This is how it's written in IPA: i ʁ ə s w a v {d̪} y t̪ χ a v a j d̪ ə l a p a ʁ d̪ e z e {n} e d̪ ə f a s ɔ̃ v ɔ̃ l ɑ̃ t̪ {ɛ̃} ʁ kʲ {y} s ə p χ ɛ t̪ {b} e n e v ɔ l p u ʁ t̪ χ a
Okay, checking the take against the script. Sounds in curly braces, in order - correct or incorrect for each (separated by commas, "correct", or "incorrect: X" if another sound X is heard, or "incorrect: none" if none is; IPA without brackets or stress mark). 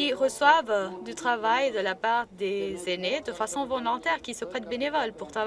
correct, correct, incorrect: ɛ, incorrect: i, correct